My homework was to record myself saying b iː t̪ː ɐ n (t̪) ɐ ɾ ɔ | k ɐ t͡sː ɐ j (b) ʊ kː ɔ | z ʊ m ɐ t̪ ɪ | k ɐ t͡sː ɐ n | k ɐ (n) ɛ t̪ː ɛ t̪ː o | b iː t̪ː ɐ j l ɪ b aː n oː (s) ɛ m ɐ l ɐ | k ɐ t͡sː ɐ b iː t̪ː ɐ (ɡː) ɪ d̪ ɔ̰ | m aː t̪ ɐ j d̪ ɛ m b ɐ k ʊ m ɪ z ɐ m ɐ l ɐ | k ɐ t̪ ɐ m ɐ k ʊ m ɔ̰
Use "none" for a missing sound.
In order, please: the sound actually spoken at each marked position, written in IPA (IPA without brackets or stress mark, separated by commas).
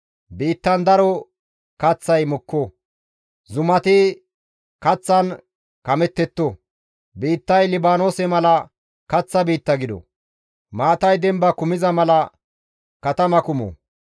d̪, m, m, s, ɡ